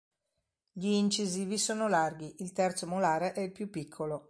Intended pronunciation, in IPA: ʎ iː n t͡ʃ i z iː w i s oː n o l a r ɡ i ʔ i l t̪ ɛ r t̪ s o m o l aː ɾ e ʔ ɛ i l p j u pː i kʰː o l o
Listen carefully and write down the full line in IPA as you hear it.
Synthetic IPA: ʎ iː n t͡ʃ i z iː v i s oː n o l a r ɡ i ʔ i l t̪ ɛ r t̪ s o m o l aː ɾ e ʔ ɛ i l p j u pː i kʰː o l o